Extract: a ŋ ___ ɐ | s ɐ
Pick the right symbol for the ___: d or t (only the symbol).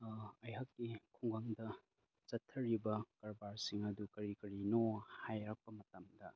d